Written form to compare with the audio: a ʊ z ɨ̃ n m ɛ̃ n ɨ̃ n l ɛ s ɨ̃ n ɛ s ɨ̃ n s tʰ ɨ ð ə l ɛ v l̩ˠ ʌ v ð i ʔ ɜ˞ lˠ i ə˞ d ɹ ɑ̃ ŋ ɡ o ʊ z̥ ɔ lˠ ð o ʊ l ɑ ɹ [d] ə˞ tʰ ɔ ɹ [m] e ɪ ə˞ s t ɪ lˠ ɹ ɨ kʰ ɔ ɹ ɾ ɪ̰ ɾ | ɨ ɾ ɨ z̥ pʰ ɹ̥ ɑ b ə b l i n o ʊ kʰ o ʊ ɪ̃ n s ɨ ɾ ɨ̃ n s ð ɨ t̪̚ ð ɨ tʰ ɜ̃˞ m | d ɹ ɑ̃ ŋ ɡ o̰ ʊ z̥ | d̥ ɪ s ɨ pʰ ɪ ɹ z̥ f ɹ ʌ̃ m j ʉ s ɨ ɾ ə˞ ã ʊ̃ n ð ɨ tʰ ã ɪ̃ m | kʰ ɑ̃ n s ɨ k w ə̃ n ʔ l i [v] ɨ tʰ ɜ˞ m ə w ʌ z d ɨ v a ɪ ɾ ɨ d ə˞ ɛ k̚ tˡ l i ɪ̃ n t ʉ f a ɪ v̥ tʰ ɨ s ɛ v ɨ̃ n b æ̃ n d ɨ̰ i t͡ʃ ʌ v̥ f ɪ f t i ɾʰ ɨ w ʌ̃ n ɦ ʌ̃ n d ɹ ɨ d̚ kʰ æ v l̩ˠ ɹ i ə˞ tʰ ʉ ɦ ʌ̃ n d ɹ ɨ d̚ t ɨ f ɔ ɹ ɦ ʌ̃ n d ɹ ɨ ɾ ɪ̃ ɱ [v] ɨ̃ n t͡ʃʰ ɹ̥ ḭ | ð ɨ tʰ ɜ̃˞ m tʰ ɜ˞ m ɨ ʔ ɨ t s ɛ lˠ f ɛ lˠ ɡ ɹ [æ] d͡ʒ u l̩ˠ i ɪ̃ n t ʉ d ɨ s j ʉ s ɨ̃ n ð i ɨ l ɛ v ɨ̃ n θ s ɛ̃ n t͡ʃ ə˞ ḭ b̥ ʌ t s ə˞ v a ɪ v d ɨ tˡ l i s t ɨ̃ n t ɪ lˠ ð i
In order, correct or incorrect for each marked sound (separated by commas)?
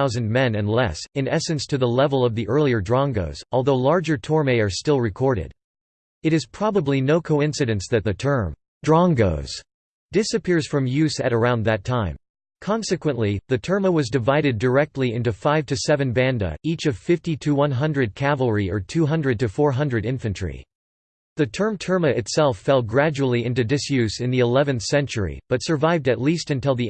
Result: incorrect, correct, incorrect, incorrect, correct